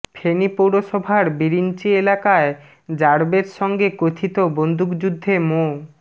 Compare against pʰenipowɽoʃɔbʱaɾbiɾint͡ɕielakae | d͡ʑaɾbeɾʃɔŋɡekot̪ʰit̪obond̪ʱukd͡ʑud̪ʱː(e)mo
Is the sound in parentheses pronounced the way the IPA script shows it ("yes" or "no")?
yes